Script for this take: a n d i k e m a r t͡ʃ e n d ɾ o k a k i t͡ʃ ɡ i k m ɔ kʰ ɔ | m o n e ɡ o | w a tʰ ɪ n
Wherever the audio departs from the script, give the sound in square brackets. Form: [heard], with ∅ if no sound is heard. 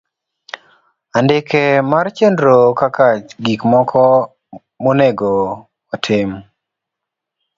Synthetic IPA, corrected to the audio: a n d [ɪ] k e m a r t͡ʃ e n d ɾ o k a k [a] t͡ʃ ɡ i k m ɔ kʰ ɔ | m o n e ɡ o | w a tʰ ɪ [m]